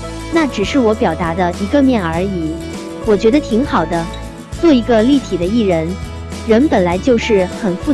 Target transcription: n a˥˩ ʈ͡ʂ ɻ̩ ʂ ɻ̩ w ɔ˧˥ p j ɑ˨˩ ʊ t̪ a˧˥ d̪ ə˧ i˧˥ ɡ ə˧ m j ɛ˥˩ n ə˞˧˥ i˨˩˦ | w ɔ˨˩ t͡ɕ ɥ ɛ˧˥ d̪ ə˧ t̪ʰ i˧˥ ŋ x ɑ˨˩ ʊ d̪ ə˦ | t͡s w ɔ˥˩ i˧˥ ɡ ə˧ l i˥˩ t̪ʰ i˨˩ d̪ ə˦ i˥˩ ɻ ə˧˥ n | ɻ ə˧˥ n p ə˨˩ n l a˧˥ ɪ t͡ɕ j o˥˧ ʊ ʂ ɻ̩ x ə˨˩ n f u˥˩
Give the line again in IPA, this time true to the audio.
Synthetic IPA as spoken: n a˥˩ ʈ͡ʂ ɻ̩ ʂ ɻ̩ w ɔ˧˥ p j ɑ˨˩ ʊ t̪ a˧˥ d̪ ə˧ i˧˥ ɡ ə˧ m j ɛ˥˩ n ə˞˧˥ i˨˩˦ | w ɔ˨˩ t͡ɕ ɥ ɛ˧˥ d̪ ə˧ t̪ʰ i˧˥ ŋ x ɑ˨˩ ʊ d̪ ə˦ | t͡s w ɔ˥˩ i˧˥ ɡ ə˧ l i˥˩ t̪ʰ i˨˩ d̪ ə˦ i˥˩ ɻ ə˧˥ n | ɻ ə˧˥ n p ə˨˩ n l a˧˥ ɪ t͡ɕ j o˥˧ ʊ ʂ ɻ̩ x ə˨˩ n f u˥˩

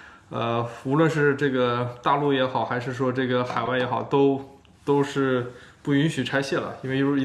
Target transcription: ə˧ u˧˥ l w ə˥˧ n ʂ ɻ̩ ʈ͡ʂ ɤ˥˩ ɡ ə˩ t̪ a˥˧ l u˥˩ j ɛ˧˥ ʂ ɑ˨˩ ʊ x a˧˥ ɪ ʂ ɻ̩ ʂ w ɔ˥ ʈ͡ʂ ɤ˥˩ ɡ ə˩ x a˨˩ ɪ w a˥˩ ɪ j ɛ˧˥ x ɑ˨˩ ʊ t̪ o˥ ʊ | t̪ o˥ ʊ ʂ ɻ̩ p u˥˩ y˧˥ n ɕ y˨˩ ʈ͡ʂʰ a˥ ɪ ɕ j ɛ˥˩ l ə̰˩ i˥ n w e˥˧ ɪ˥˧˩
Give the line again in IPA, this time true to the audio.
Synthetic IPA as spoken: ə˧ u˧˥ l w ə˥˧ n ʂ ɻ̩ ʈ͡ʂ ɤ˥˩ ɡ ə˩ t̪ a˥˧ l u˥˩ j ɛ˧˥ x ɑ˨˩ ʊ x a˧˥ ɪ ʂ ɻ̩ ʂ w ɔ˥ ʈ͡ʂ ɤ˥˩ ɡ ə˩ x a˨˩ ɪ w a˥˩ ɪ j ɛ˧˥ x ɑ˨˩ ʊ t̪ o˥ ʊ | t̪ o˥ ʊ ʂ ɻ̩ p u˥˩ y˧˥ n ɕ y˨˩ ʈ͡ʂʰ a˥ ɪ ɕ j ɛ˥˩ l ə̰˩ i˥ n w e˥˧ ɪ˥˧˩

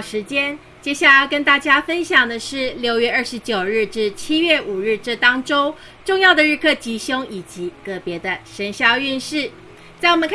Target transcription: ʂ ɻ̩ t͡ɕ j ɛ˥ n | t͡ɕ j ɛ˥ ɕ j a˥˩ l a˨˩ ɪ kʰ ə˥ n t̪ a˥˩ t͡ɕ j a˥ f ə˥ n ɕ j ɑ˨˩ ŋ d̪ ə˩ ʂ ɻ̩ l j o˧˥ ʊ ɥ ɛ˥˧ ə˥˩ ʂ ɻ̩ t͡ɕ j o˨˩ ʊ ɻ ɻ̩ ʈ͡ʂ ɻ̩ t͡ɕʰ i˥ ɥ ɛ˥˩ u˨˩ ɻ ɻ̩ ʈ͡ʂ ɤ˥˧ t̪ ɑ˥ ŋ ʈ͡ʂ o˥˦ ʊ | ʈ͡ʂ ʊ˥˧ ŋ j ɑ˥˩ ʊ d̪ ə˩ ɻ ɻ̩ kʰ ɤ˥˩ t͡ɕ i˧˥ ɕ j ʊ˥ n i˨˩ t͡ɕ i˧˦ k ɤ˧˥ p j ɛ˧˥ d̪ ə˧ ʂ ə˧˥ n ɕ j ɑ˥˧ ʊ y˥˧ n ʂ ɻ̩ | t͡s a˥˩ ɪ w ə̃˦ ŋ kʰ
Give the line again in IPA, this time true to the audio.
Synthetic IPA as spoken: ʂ ɻ̩ t͡ɕ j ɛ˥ n | t͡ɕ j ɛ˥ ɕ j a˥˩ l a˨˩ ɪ k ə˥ n t̪ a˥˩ t͡ɕ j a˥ f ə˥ n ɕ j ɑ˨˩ ŋ d̪ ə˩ ʂ ɻ̩ l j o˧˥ ʊ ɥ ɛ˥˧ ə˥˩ ʂ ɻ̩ t͡ɕ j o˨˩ ʊ ɻ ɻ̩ ʈ͡ʂ ɻ̩ t͡ɕʰ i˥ ɥ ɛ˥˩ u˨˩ ɻ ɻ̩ ʈ͡ʂ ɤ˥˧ t̪ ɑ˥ ŋ ʈ͡ʂ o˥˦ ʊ | ʈ͡ʂ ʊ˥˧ ŋ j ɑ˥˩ ʊ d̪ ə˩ ɻ ɻ̩ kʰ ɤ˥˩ t͡ɕ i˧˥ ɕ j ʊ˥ ŋ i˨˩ t͡ɕ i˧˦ k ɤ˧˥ p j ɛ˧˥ d̪ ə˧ ʂ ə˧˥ n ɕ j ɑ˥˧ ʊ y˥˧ n ʂ ɻ̩ | t͡s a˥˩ ɪ w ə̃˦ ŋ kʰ

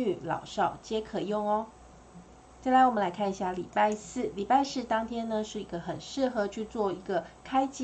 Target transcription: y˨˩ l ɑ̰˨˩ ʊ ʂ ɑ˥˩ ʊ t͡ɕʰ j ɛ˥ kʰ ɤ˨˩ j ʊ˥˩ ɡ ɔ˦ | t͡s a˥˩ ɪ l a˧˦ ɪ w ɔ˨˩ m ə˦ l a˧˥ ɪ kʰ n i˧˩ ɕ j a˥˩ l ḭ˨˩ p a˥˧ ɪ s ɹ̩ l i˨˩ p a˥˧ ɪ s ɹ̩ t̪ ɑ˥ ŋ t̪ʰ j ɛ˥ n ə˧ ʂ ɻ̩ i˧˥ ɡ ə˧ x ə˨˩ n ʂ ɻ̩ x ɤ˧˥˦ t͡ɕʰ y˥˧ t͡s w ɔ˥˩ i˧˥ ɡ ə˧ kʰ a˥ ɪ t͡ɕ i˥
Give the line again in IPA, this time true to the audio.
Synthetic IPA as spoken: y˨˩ l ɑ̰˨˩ ʊ ʂ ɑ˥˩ ʊ t͡ɕ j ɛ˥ kʰ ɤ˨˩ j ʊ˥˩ ŋ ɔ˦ | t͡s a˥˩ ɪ l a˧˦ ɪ w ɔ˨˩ m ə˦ l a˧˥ ɪ kʰ n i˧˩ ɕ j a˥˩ l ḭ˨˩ p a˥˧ ɪ s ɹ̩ l i˨˩ p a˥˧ ɪ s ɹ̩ t̪ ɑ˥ ŋ t̪ʰ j ɛ˥ n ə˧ ʂ ɻ̩ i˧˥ ɡ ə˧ x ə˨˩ n ʂ ɻ̩ x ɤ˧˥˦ t͡ɕʰ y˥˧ t͡s w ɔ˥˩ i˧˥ ɡ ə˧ kʰ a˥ ɪ t͡ɕ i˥

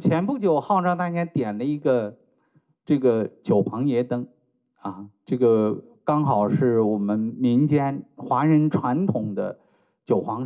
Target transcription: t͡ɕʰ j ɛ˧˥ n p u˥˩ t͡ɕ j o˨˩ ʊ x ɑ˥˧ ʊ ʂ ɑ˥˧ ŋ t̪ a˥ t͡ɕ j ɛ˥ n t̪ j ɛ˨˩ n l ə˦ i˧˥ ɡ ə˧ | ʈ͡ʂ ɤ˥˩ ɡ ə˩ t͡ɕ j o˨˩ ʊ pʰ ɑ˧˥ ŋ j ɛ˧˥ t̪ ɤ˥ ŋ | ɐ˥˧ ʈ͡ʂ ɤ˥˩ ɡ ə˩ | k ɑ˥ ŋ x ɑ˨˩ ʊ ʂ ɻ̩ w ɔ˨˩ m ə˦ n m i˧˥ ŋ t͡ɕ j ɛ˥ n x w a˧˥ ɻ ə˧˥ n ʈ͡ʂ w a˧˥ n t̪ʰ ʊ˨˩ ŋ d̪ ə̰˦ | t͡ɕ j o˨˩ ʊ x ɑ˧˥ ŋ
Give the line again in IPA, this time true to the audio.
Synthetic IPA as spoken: t͡ɕʰ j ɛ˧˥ n p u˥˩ t͡ɕ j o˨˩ ʊ x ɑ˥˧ ʊ ʈ͡ʂ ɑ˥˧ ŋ t̪ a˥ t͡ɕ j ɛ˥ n t̪ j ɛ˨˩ n l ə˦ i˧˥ ɡ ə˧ | ʈ͡ʂ ɤ˥˩ ɡ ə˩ t͡ɕ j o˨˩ ʊ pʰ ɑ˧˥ ŋ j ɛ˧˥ t̪ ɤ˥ ŋ | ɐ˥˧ ʈ͡ʂ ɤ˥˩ ɡ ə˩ | k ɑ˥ ŋ x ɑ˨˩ ʊ ʂ ɻ̩ w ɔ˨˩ m ə˦ n m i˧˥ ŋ t͡ɕ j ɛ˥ n x w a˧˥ ɻ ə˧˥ n ʈ͡ʂʰ w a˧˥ n t̪ʰ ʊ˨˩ ŋ d̪ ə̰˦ | t͡ɕ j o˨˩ ʊ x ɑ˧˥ ŋ

